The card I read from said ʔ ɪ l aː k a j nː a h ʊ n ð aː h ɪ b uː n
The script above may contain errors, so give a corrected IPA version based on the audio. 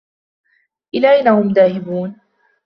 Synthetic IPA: ʔ ɪ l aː ʔ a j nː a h ʊ m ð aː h ɪ b uː n